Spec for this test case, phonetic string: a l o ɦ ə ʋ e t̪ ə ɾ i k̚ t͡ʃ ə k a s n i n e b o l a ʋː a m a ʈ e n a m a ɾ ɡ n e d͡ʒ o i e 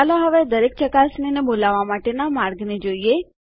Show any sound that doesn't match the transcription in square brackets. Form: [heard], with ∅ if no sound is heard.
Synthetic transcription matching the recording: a l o ɦ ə ʋ e [d̪] ə ɾ [e] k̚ t͡ʃ ə k a s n i n e b o l a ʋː a m a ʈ e n a m a ɾ ɡ n e d͡ʒ o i e